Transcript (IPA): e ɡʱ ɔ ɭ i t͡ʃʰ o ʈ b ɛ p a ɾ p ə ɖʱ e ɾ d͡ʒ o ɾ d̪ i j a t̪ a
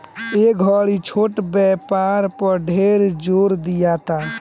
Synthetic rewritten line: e ɡʱ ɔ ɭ i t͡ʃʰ o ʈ b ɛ p a ɾ p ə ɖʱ e ɾ d͡ʒ o ɾ d̪ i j a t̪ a